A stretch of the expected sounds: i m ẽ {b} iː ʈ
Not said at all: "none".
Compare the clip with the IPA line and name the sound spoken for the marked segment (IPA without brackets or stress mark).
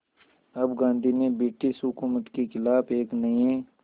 b